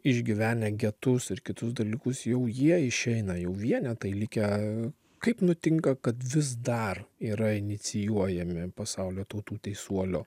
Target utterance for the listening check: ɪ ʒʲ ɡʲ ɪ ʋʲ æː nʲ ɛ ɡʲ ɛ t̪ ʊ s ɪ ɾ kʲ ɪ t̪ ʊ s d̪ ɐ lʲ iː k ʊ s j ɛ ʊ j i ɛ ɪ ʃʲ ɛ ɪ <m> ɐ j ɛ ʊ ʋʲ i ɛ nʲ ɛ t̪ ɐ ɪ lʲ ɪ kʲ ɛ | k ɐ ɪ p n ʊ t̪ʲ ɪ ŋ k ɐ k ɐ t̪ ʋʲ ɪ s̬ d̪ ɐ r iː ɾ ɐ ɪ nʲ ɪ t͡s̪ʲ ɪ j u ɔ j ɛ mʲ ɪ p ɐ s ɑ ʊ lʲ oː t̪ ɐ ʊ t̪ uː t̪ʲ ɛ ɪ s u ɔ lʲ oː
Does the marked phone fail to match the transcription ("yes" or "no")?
yes